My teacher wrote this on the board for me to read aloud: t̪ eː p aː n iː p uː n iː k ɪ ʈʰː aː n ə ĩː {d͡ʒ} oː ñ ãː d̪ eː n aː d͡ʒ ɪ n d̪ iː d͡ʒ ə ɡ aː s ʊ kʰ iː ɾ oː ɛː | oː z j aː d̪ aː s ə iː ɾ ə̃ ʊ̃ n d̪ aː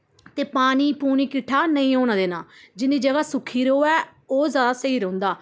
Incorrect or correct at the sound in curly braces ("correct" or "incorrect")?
incorrect